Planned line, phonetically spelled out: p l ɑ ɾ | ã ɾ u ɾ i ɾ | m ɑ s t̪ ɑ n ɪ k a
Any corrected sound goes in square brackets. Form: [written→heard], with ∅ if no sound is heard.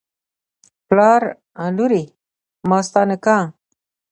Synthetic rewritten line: p l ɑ ɾ | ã [ɾ→l] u ɾ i [ɾ→∅] | m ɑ s t̪ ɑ n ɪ k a

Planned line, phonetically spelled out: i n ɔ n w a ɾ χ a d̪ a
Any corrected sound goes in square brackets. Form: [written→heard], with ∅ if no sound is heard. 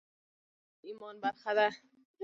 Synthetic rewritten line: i [n→m] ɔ n [w→b] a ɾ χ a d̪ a

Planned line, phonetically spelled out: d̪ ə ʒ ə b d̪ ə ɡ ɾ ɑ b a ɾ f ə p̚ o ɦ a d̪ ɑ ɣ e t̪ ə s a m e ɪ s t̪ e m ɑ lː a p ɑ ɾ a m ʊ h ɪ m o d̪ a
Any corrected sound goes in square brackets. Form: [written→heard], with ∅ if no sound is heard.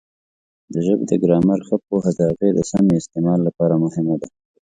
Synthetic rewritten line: d̪ ə ʒ ə b d̪ ə ɡ ɾ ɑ [b→m] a ɾ [f→x] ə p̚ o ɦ a d̪ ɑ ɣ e [t̪→d̪] ə s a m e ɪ s t̪ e m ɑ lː a p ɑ ɾ a m ʊ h ɪ m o d̪ a

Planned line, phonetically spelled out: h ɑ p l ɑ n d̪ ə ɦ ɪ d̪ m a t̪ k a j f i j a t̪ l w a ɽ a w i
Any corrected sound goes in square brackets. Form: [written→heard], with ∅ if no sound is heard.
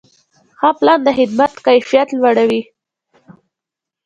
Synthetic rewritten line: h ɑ p l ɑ n d̪ ə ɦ ɪ d̪ m a t̪ k a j f i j a t̪ l w a ɽ a w i

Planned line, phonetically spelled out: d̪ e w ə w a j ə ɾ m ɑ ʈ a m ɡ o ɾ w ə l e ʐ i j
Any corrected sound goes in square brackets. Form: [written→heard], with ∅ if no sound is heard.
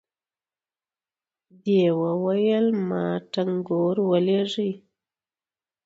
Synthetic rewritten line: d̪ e w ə w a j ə [ɾ→l] m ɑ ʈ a [m→ŋ] ɡ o ɾ w ə l e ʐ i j

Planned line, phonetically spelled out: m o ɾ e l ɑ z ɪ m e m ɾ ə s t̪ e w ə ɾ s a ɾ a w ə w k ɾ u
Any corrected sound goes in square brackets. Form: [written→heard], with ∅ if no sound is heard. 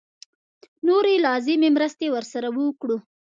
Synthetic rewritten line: [m→n] o ɾ e l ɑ z ɪ m e m ɾ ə s t̪ e w ə ɾ s a ɾ a w ə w k [ɾ→ɽ] u

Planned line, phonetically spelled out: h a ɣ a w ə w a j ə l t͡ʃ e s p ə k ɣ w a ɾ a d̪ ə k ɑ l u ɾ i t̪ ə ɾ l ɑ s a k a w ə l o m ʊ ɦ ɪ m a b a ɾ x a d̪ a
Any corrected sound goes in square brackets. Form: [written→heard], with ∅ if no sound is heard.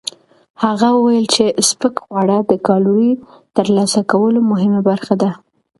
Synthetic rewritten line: h a ɣ a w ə w a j ə l t͡ʃ e s p ə k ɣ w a [ɾ→ɽ] a d̪ ə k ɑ l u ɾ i t̪ ə ɾ l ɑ s a k a w ə l o m ʊ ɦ ɪ m a b a ɾ x a d̪ a

